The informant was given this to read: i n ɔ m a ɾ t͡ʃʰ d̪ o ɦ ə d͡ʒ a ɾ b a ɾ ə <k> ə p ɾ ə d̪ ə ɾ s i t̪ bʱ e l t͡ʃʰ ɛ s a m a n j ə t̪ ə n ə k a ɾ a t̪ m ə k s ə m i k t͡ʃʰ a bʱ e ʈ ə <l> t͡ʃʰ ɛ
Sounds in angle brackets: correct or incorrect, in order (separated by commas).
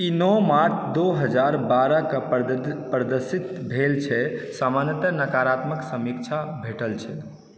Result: correct, correct